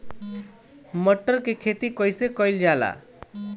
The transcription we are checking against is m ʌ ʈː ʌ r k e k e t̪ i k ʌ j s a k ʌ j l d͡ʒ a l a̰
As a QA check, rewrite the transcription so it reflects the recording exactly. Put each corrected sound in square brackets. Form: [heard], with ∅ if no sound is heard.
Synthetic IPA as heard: m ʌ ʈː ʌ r k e [kʰ] e t̪ i k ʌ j s [e] k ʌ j l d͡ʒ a l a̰